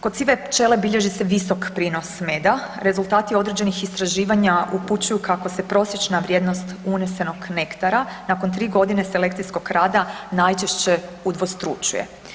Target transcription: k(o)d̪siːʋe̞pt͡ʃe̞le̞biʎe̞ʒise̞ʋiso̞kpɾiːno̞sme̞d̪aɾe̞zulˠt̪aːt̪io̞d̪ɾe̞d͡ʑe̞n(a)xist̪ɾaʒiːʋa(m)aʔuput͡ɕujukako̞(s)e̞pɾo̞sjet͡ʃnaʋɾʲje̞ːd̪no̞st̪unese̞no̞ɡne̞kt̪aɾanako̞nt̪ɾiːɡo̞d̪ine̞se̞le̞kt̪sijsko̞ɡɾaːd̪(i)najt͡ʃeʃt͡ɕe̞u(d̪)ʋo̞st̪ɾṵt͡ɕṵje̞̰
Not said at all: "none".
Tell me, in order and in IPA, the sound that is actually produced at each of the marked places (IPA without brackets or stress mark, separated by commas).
o, i, ɲ, s, a, d̪